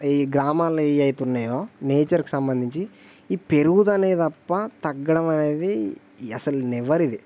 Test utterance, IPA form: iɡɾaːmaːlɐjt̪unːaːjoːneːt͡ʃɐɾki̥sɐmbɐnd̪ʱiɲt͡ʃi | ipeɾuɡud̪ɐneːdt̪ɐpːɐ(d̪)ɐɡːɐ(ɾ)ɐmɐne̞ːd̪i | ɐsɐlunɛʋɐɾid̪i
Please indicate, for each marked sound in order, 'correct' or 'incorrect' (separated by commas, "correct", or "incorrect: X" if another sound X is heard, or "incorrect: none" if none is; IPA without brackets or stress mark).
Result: incorrect: t̪, incorrect: ɽ